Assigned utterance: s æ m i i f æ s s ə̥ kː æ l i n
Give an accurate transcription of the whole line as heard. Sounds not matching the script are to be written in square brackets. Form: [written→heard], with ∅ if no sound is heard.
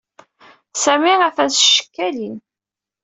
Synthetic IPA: s æ m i [i→æ] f æ s [s→ʃ] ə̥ kː æ l i n